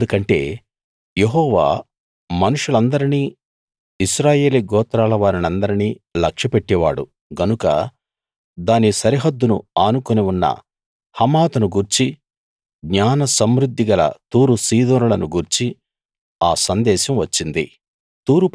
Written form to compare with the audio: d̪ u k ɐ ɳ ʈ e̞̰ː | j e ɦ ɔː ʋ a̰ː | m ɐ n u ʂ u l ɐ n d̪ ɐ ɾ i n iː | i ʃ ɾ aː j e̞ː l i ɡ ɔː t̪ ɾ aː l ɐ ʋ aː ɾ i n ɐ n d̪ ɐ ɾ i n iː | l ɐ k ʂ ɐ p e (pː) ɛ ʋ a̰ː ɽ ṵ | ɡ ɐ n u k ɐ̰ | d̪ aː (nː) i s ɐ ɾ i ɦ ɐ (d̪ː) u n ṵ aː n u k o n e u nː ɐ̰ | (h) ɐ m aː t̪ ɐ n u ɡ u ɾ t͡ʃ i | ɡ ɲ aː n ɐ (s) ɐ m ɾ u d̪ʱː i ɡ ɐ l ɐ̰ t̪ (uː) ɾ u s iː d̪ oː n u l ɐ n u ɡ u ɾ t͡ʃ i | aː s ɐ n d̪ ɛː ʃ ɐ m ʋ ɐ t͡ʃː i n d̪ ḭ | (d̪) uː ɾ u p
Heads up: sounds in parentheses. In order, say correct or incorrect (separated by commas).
incorrect, incorrect, correct, correct, correct, correct, incorrect